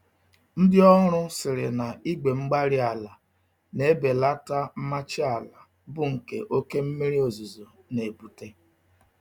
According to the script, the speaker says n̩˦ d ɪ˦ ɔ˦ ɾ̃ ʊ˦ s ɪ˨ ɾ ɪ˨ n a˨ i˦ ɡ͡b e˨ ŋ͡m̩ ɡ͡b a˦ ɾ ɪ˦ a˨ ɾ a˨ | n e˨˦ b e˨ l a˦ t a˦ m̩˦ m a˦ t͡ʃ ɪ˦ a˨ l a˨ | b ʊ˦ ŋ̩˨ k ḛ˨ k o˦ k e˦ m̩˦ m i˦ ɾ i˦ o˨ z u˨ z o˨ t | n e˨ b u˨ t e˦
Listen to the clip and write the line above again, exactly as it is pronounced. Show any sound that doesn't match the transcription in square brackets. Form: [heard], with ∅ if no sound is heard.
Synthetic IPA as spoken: n̩˦ d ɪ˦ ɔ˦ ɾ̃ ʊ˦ s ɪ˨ ɾ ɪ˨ n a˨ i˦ ɡ͡b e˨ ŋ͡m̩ ɡ͡b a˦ ɾ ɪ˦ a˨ [l] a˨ | n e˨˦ b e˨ l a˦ t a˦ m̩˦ m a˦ t͡ʃ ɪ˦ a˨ l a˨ | b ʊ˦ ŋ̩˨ k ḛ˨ [ʔ] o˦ k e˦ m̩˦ m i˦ ɾ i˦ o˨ z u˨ z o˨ [∅] | n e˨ b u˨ t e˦